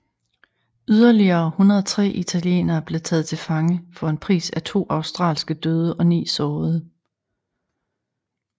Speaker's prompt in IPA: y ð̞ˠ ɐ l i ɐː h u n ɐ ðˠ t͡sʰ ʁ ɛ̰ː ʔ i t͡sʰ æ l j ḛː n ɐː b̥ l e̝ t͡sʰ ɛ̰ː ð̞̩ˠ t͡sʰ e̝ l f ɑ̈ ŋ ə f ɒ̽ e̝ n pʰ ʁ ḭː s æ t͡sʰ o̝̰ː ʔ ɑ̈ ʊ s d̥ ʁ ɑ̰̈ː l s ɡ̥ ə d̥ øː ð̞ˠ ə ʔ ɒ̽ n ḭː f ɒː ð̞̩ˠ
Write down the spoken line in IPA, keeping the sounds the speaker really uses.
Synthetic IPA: y ð̞ˠ ɐ l i ɐː h u n ɐ ðˠ t͡sʰ ʁ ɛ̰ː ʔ i t͡sʰ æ l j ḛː n ɐː b̥ l e̝ t͡sʰ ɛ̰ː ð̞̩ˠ t͡sʰ e̝ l f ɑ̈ ŋ ə f ɒ̽ e̝ n pʰ ʁ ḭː s æ t͡sʰ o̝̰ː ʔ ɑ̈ ʊ s d̥ ʁ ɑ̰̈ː l s ɡ̥ ə d̥ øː ð̞ˠ ə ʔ ɒ̽ n ḭː s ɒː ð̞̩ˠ